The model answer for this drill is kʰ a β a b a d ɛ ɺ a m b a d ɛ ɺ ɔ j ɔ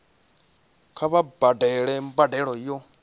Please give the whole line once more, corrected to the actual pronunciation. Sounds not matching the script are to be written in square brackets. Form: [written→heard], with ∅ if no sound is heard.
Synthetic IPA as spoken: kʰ a β a b a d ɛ ɺ [a→ɛ] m b a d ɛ ɺ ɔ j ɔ